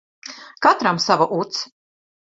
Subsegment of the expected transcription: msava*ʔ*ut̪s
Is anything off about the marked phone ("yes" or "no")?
no